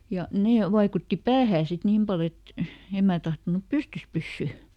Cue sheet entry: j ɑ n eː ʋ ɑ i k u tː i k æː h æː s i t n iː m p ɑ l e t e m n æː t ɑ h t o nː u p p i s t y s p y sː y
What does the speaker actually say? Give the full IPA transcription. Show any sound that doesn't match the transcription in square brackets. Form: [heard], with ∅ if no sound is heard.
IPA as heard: j ɑ n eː ʋ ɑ i k u tː i [p] æː h æː s i t n iː m p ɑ l e t e m [m] æː t ɑ h t o [n] u p p [y] s t y s p y sː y